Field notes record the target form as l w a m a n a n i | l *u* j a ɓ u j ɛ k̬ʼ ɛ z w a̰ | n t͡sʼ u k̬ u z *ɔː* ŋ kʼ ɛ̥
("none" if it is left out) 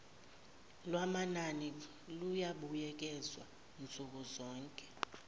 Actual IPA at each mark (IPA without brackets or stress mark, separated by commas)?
u, ɔː